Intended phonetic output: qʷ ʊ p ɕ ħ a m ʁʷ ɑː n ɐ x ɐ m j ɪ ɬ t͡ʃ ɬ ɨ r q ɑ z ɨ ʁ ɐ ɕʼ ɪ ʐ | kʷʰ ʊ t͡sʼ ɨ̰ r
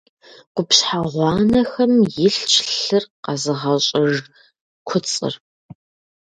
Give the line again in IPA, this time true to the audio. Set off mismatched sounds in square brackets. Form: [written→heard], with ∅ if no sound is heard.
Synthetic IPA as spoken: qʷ ʊ p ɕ ħ a [m→∅] ʁʷ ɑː n ɐ x ɐ m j ɪ ɬ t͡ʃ ɬ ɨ r q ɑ z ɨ ʁ ɐ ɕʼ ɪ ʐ | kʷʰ ʊ t͡sʼ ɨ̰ r